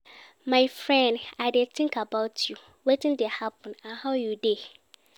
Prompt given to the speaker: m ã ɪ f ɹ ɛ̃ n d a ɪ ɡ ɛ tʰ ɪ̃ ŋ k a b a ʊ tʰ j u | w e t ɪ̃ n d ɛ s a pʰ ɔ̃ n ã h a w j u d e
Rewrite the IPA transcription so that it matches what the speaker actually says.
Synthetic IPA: m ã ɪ f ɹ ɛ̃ n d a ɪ d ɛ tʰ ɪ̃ ŋ k a b a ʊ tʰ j u | w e t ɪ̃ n d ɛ h a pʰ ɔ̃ n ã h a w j u d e